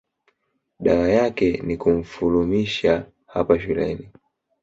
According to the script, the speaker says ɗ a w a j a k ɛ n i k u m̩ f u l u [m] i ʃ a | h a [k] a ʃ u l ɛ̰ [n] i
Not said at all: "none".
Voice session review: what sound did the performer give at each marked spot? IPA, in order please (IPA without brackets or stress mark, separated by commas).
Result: m, p, n